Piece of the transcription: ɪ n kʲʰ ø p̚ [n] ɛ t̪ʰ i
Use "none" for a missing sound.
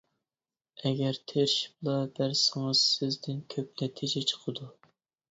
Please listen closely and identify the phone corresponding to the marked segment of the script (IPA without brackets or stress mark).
n